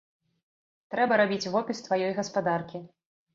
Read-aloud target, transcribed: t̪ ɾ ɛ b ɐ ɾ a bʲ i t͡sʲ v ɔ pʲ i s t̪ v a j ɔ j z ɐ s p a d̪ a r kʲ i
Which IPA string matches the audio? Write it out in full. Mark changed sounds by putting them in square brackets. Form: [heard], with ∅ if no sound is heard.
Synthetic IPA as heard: t̪ ɾ ɛ b ɐ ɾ a bʲ i t͡sʲ v ɔ pʲ i s t̪ v a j ɔ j [ɣ] ɐ s p a d̪ a r kʲ i